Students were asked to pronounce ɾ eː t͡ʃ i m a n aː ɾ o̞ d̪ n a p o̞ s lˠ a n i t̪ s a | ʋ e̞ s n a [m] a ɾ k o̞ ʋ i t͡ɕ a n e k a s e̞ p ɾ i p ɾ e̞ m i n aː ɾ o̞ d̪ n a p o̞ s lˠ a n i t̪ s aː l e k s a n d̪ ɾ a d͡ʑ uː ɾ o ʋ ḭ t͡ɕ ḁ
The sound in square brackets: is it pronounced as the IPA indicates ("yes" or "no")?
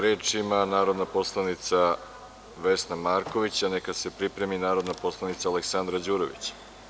yes